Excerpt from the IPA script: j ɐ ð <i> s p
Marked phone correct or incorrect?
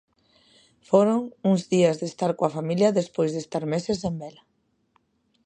incorrect